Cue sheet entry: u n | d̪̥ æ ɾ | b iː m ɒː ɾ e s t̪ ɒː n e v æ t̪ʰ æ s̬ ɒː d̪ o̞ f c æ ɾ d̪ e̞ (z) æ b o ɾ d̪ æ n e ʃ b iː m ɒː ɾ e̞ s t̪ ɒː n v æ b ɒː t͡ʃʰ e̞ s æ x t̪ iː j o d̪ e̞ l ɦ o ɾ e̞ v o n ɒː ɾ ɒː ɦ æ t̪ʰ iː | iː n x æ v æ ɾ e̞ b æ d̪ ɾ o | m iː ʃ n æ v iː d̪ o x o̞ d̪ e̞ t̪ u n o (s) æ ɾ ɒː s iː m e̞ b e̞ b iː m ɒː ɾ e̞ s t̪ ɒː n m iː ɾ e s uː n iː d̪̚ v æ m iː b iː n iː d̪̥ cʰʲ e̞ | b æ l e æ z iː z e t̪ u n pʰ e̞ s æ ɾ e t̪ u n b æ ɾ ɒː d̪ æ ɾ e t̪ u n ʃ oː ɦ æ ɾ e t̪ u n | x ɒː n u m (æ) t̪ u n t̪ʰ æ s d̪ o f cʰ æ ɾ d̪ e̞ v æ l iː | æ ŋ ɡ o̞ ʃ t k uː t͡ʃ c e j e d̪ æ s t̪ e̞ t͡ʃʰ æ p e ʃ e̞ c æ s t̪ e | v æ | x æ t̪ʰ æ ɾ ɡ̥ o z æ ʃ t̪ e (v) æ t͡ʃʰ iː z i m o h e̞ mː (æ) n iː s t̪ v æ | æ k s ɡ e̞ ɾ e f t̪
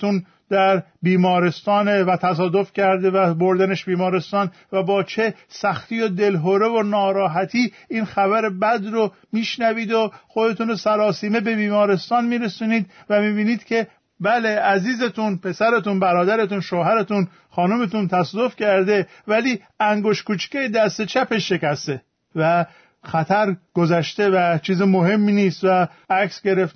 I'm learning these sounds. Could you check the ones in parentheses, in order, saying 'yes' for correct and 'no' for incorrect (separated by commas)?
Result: no, yes, no, yes, no